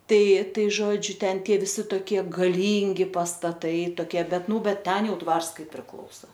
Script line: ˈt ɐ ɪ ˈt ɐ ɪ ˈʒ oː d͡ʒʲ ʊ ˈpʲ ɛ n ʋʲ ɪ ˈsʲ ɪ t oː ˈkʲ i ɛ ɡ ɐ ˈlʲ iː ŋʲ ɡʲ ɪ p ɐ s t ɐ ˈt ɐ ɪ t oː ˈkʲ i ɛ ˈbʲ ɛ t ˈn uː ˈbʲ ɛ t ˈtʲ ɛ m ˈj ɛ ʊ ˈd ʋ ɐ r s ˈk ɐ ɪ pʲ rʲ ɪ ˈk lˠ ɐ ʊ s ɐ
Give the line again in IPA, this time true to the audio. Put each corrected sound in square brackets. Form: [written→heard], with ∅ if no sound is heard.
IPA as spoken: ˈt ɐ ɪ ˈt ɐ ɪ ˈʒ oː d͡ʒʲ ʊ [ˈpʲ→ˈtʲ] ɛ n ʋʲ ɪ ˈsʲ ɪ t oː ˈkʲ i ɛ ɡ ɐ ˈlʲ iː ŋʲ ɡʲ ɪ p ɐ s t ɐ ˈt ɐ ɪ t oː ˈkʲ i ɛ ˈbʲ ɛ t ˈn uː ˈbʲ ɛ t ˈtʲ ɛ [m→n] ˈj ɛ ʊ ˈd ʋ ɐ r s ˈk ɐ ɪ pʲ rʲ ɪ ˈk lˠ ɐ ʊ s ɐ